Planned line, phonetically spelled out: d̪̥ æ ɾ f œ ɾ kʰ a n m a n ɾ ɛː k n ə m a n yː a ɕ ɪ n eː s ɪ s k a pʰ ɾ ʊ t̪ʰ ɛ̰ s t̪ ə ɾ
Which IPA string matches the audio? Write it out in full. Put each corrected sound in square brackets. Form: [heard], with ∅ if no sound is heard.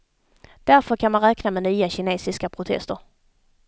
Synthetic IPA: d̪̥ æ ɾ f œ ɾ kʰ a n m a n ɾ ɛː k n [a] m [ɛ] n yː a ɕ ɪ n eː s ɪ s k a pʰ ɾ ʊ t̪ʰ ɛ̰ s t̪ ə ɾ